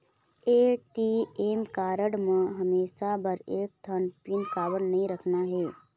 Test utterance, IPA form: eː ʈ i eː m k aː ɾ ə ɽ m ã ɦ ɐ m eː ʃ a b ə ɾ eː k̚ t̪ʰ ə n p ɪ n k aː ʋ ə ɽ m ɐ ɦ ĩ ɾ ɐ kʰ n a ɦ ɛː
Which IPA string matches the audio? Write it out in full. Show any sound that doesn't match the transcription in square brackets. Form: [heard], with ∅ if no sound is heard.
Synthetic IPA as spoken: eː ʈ i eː m k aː ɾ ə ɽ m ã ɦ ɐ m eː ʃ a b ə ɾ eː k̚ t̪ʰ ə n p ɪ n k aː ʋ ə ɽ [n] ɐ ɦ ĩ ɾ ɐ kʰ n a ɦ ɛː